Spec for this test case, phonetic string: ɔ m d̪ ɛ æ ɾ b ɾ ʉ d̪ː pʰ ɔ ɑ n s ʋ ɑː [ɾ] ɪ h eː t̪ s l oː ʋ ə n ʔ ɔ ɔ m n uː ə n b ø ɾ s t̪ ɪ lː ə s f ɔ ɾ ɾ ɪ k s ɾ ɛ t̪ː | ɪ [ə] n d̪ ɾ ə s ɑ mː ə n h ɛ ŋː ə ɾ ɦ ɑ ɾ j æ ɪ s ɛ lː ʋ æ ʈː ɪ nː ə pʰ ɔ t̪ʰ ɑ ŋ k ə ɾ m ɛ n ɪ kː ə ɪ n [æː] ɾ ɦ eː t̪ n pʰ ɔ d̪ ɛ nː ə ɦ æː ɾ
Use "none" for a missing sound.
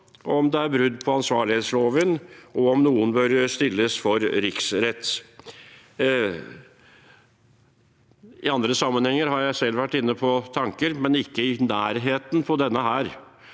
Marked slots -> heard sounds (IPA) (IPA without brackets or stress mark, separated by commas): ɭ, ɑ, æː